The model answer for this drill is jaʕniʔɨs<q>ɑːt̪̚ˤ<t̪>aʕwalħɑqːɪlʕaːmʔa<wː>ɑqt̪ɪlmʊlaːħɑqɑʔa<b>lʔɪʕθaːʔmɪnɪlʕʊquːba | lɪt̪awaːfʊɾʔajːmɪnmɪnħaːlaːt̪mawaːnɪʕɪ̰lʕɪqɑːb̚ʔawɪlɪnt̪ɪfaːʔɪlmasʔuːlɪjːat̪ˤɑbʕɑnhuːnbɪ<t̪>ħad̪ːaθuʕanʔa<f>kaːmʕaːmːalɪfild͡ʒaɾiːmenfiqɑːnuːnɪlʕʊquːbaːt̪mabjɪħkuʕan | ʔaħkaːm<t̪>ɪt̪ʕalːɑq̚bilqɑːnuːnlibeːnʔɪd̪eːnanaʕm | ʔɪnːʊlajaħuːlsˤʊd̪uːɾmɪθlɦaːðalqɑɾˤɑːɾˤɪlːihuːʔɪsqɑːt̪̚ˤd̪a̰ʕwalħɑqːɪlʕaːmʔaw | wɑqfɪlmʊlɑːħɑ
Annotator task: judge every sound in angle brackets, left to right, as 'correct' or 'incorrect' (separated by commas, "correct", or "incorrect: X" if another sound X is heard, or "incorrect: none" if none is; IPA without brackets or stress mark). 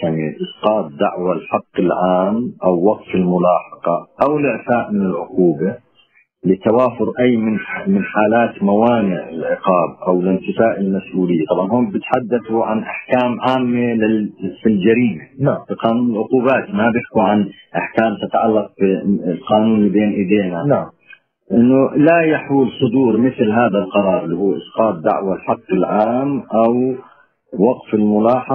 correct, incorrect: d̪, correct, incorrect: w, correct, incorrect: ħ, correct